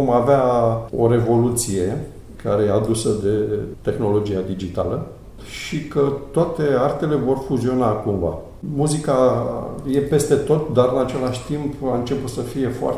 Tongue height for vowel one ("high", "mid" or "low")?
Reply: mid